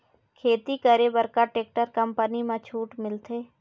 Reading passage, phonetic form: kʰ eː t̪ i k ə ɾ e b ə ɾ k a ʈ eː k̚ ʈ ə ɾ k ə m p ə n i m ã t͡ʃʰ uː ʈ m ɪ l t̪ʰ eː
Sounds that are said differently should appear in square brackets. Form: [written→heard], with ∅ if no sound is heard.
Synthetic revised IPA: kʰ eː t̪ i k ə ɾ e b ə ɾ k a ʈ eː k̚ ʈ ə ɾ k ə m p ə n i m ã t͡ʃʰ uː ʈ m ɪ l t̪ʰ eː